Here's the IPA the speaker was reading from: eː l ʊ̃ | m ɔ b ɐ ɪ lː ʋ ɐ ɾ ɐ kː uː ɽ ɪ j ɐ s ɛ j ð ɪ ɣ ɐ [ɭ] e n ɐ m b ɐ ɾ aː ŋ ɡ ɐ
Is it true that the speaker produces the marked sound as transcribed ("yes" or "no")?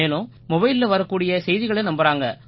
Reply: yes